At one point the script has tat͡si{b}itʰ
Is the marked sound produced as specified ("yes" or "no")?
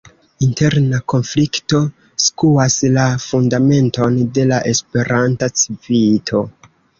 no